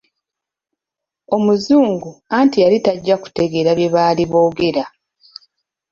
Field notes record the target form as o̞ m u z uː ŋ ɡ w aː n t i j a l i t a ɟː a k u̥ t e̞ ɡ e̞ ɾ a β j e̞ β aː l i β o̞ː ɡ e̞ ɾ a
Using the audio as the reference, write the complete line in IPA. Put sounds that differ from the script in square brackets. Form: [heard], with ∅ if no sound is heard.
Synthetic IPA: o̞ m u z uː ŋ ɡ [u] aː n t i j a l i t a ɟː a k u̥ t e̞ ɡ e̞ ɾ a β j e̞ β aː l i β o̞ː ɡ e̞ ɾ a